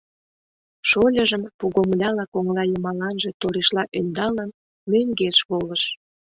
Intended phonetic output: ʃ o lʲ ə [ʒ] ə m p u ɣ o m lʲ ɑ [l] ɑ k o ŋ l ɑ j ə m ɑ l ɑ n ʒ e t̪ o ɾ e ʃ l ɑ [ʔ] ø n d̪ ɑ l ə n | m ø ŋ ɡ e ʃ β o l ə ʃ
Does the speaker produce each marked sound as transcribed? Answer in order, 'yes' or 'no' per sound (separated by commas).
yes, yes, yes